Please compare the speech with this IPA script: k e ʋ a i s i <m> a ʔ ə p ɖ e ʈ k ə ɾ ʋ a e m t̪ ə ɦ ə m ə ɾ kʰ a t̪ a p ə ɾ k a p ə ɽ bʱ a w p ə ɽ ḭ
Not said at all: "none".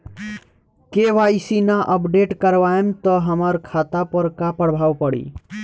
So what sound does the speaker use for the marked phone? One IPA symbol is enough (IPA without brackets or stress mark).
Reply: n